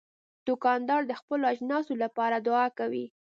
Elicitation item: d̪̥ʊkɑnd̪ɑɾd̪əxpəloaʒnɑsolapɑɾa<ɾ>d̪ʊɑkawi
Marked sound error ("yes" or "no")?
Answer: yes